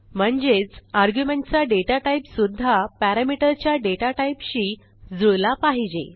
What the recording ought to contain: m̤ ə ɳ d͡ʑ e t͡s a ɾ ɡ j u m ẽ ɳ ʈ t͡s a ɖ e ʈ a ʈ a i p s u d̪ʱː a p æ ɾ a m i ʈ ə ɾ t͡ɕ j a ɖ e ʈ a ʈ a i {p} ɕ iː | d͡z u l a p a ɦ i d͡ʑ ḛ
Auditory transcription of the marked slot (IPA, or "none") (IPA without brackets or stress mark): p